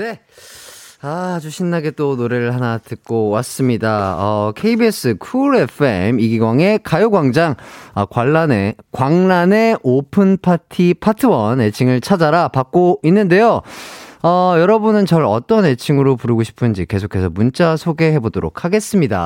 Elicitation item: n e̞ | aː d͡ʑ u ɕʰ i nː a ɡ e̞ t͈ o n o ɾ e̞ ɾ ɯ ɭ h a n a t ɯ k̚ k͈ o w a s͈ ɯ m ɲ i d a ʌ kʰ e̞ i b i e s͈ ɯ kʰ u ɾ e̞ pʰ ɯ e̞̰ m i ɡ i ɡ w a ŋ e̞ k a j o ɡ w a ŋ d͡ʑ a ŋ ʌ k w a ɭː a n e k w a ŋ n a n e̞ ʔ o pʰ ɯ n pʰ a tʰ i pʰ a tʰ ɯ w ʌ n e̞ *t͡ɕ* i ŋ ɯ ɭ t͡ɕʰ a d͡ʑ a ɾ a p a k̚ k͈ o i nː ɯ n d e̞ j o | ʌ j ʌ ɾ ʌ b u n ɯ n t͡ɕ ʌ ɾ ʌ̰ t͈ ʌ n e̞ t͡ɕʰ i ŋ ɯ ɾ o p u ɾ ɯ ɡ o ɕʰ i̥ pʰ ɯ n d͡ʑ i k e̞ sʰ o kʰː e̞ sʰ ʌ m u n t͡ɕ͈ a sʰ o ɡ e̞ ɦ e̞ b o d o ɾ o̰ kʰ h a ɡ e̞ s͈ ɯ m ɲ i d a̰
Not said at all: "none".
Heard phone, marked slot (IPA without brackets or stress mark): t͡ɕʰ